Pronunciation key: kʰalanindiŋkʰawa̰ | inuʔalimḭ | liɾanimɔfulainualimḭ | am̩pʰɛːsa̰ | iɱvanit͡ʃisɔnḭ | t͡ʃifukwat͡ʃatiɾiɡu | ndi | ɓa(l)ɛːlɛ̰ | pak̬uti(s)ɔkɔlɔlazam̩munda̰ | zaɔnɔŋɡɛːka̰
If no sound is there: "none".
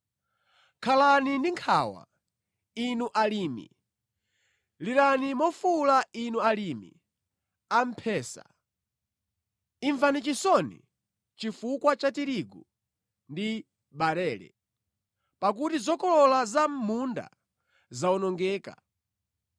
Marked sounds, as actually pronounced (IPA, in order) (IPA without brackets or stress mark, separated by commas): ɾ, z